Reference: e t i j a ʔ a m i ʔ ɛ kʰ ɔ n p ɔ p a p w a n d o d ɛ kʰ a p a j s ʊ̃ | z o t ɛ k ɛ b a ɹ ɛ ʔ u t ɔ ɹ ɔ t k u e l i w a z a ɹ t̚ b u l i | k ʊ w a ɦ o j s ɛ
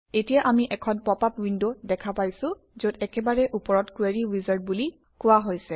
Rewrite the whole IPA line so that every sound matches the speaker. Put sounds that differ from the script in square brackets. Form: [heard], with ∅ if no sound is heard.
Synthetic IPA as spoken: e t i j a ʔ a m i ʔ ɛ kʰ ɔ n p ɔ p a p w [i] n d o d ɛ kʰ a p a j s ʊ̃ | z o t ɛ k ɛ b a ɹ ɛ ʔ u [p] ɔ ɹ ɔ t k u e [ɹ] i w [i] z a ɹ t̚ b u l i | k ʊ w a ɦ o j s ɛ

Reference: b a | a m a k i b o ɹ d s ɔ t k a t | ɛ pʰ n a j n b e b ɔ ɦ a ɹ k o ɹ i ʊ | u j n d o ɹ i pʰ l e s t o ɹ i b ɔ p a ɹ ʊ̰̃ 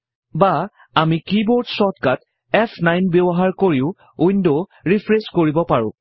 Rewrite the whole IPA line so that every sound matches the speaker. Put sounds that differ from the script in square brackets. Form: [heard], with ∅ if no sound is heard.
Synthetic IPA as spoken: b a | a m [i] k i b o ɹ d s ɔ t k a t | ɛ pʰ n a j n b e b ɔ ɦ a ɹ k o ɹ i ʊ | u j n d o ɹ i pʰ [ɹ] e s [k] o ɹ i b ɔ p a ɹ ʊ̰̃

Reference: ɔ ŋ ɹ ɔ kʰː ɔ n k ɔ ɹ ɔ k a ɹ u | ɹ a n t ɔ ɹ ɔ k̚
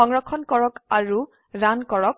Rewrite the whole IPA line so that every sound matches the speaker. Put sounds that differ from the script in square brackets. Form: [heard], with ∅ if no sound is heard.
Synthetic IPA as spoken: ɔ ŋ ɹ ɔ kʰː ɔ n k ɔ ɹ ɔ k a ɹ u | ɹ a n [k] ɔ ɹ ɔ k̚

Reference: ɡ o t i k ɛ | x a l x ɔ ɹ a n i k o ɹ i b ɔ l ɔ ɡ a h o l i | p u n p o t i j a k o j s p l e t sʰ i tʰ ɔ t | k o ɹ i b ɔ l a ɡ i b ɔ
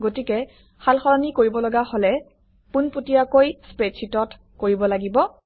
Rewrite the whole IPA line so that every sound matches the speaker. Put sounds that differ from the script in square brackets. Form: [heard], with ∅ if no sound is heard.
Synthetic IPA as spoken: ɡ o t i k ɛ | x a l x ɔ ɹ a n i k o ɹ i b ɔ l ɔ ɡ a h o l [ɛ] | p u n p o t i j a k o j s p [ɹ] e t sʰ i [t] ɔ t | k o ɹ i b ɔ l a ɡ i b ɔ

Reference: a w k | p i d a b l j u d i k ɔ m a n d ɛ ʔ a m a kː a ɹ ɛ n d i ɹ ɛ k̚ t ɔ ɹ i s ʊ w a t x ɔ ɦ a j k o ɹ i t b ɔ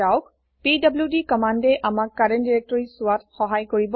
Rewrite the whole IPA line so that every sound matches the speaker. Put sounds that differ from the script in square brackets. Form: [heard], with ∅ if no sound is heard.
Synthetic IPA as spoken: a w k | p i d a b l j u d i k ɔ m a n d ɛ ʔ a m a kː a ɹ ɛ n d i ɹ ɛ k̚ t ɔ ɹ i s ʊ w a t x ɔ ɦ a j k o ɹ i [∅] b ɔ

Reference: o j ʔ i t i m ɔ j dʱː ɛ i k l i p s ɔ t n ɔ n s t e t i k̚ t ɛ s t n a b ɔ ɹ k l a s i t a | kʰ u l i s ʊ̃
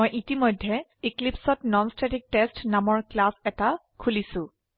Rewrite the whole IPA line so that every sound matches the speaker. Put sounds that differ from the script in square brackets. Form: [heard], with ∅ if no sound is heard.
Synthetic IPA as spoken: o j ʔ i t i m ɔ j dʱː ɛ i k l i p s ɔ t n ɔ n s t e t i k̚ t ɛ s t n a [m] ɔ ɹ k l a s [ɛ] t a | kʰ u l i s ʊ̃

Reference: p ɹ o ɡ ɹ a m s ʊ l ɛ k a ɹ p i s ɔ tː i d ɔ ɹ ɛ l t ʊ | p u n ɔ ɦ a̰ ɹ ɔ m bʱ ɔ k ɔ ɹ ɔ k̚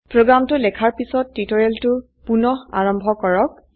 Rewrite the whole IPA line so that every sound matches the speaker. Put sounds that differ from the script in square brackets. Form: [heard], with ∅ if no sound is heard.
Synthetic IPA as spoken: p ɹ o ɡ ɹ a m [t] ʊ l ɛ [kʰ] a ɹ p i s ɔ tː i [t] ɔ ɹ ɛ l t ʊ | p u n ɔ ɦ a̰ ɹ ɔ m bʱ ɔ k ɔ ɹ ɔ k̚

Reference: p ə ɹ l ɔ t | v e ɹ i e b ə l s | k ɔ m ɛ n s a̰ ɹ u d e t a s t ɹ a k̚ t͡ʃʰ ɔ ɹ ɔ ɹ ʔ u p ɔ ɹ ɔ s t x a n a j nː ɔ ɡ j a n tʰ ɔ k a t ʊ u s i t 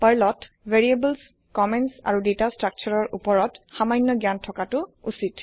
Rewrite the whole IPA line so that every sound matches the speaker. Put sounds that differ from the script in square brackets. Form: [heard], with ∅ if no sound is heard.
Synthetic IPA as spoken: p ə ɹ l ɔ t | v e ɹ i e b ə l s | k ɔ m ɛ n s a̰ ɹ u d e t a s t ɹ a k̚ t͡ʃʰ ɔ ɹ ɔ ɹ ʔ u p ɔ ɹ ɔ [∅] t x a [m] a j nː ɔ ɡ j a n tʰ ɔ k a t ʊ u s i t

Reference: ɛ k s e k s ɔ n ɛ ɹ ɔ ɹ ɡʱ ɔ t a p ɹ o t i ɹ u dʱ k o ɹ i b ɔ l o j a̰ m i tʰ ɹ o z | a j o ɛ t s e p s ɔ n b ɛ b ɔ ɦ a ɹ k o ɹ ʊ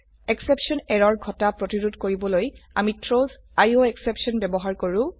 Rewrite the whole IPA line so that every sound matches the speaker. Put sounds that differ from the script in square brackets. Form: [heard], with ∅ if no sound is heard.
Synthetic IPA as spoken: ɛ k s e [p] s ɔ n ɛ ɹ ɔ ɹ ɡʱ ɔ t a p ɹ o t i ɹ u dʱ k o ɹ i b ɔ l o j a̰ m i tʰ ɹ o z | a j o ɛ [k] s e p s ɔ n b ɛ b ɔ ɦ a ɹ k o ɹ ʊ

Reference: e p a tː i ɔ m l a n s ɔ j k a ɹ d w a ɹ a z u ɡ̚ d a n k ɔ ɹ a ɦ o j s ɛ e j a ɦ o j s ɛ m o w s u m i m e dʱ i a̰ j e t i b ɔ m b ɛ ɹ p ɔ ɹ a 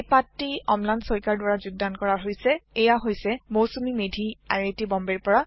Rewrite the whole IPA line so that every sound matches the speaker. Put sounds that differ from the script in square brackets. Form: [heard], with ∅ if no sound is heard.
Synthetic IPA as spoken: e p a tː i ɔ m l a n s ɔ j k a ɹ d w a ɹ a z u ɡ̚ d a n k ɔ ɹ a ɦ o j s ɛ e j a ɦ o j s ɛ m o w s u m i m e dʱ i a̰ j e t i b ɔ m b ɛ ɹ p ɔ ɹ a

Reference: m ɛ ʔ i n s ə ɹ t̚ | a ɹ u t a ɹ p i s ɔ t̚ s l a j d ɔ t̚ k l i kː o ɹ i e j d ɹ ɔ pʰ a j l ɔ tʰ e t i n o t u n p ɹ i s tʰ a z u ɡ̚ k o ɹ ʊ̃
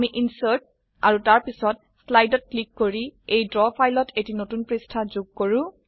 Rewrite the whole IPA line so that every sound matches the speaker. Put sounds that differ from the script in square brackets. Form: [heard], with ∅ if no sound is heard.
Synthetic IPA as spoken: m [i] ʔ i n s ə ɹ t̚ | a ɹ u t a ɹ p i s ɔ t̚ s l a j d ɔ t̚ k l i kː o ɹ i e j d ɹ ɔ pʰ a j l ɔ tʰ e t i n o t u n p ɹ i s tʰ a z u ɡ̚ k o ɹ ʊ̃

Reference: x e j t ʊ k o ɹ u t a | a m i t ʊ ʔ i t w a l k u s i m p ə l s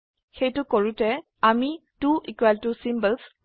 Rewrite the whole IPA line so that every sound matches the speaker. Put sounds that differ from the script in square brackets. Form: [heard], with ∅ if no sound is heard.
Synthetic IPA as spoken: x e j t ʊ k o ɹ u t [ɛ] | a m i t [u] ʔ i [k] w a l [t] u s i m [b] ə l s

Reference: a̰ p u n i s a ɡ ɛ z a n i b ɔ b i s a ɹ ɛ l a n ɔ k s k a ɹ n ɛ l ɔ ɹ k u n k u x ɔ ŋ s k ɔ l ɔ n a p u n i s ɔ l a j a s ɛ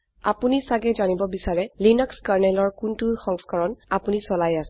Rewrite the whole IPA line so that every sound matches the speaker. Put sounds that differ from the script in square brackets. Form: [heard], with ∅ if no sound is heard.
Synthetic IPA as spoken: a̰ p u n i s a ɡ ɛ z a n i b ɔ b i s a ɹ ɛ l [i] n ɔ k s k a ɹ n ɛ l ɔ ɹ k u n [t] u x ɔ ŋ s k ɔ [ɹ] ɔ n a p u n i s ɔ l a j a s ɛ

